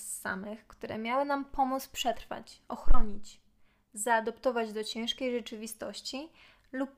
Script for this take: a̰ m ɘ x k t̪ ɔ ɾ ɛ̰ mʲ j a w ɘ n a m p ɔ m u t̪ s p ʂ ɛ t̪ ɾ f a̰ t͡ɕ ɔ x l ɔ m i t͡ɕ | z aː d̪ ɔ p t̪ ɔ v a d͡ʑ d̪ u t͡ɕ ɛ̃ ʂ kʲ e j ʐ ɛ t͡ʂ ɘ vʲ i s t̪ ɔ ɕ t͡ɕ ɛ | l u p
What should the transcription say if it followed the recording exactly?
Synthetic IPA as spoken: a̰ m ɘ x k t̪ u ɾ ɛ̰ mʲ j a w ɘ n a m p ɔ m u t̪ s p ʂ ɛ t̪ ɾ f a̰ t͡ɕ ɔ x ɾ ɔ ɲ i t͡ɕ | z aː d̪ ɔ p t̪ ɔ v a d͡ʑ d̪ ɔ t͡ɕ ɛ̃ ʂ kʲ e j ʐ ɛ t͡ʂ ɘ vʲ i s t̪ ɔ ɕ t͡ɕ i | l u p